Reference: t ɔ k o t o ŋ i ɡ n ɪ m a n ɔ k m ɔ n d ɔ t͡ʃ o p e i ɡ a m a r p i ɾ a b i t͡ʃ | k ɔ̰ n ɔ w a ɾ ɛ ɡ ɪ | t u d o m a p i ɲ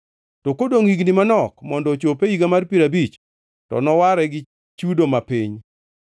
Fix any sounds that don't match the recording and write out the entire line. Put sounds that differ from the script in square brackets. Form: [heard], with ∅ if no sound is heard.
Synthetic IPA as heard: t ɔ k o [d] o ŋ i ɡ n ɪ m a n ɔ k m ɔ n d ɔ t͡ʃ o p e i ɡ a m a r p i ɾ a b i t͡ʃ | [t] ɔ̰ n ɔ w a ɾ ɛ ɡ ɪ | [t͡ʃ] u d o m a p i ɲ

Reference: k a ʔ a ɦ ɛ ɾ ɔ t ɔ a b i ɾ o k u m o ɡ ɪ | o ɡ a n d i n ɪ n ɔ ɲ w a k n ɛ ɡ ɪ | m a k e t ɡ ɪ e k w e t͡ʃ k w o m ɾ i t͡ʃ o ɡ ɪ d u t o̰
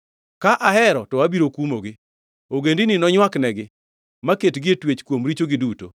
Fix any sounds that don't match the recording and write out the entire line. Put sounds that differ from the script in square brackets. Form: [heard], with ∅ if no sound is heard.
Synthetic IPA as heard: k a ʔ a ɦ ɛ ɾ ɔ t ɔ a b i ɾ o k u m o ɡ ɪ | o ɡ [e] n d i n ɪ n ɔ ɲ w a k n ɛ ɡ ɪ | m a k e t ɡ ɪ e [t] w e t͡ʃ k w o m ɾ i t͡ʃ o ɡ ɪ d u t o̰

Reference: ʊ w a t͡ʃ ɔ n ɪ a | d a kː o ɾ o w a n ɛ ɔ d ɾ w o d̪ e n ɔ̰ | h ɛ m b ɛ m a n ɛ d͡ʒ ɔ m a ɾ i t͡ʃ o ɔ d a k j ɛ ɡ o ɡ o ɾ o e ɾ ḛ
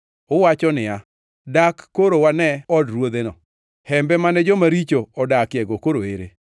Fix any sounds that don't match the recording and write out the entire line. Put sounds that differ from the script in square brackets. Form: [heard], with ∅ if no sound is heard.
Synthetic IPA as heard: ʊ w a t͡ʃ ɔ n ɪ a | d a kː o ɾ o w a n ɛ ɔ d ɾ w o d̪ e n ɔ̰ | h ɛ m b ɛ m a n ɛ d͡ʒ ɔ m a ɾ i t͡ʃ o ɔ d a k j ɛ ɡ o [k] o ɾ o e ɾ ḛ

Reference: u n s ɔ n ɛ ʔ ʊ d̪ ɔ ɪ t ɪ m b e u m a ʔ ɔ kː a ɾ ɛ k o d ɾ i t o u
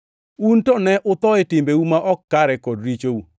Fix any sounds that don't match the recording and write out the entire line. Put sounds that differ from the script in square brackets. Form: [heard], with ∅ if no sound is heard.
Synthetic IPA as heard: u n [t] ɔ n ɛ ʔ ʊ [t̪] ɔ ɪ t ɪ m b e u m a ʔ ɔ kː a ɾ ɛ k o d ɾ i [t͡ʃ] o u

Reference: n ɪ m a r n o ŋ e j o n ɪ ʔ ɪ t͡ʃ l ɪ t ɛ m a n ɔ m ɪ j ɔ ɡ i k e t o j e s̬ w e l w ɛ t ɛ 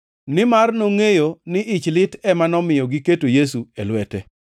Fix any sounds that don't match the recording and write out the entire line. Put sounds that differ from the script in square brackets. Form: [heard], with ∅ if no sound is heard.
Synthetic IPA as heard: n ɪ m a r n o ŋ e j o n ɪ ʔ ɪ t͡ʃ l ɪ t ɛ m a n ɔ m ɪ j ɔ ɡ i k e t o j e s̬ [u] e l w ɛ t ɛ

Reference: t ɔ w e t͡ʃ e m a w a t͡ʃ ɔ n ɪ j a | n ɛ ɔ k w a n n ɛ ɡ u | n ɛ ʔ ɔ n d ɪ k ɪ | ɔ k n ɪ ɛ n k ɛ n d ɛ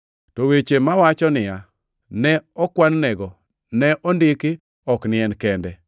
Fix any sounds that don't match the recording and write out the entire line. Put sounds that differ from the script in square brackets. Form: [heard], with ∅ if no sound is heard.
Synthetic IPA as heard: t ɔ w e t͡ʃ e m a w a t͡ʃ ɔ n ɪ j a | n ɛ ɔ k w a n n ɛ ɡ [ɔ] | n ɛ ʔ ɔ n d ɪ k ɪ | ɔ k n ɪ ɛ n k ɛ n d ɛ

